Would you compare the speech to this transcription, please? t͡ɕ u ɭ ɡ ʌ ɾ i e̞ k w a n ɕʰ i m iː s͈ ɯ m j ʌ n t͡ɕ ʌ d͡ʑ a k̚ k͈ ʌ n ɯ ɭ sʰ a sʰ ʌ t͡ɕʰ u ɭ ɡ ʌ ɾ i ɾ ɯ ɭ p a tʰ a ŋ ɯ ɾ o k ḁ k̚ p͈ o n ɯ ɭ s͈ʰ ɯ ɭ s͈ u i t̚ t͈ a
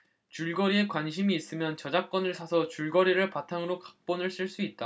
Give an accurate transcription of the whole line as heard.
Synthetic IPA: t͡ɕ u ɭ ɡ ʌ ɾ i e̞ k w a n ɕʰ i m iː s͈ ɯ m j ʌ n t͡ɕ ʌ d͡ʑ a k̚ k͈ ʌ n ɯ ɭ sʰ a sʰ ʌ t͡ɕ u ɭ ɡ ʌ ɾ i ɾ ɯ ɭ p a tʰ a ŋ ɯ ɾ o k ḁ k̚ p͈ o n ɯ ɭ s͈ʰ ɯ ɭ s͈ u i t̚ t͈ a